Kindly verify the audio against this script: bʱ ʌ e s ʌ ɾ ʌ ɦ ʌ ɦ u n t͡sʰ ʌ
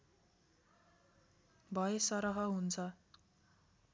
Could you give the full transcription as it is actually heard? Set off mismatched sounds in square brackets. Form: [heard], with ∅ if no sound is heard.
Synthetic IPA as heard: bʱ ʌ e s ʌ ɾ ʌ ɦ ʌ ɦ u n t͡sʰ ʌ